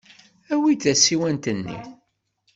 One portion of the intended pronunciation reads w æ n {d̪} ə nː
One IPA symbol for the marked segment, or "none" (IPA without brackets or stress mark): t̪